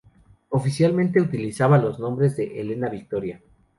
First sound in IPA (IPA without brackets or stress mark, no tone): o̞